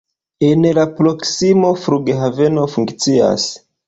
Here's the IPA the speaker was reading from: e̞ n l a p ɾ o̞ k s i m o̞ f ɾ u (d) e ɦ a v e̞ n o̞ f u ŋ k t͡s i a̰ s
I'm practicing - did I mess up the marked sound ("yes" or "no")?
yes